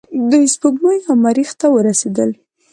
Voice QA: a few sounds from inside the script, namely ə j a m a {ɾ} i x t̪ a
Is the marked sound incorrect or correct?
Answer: correct